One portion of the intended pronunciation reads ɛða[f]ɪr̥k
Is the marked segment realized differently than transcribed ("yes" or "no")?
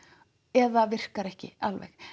yes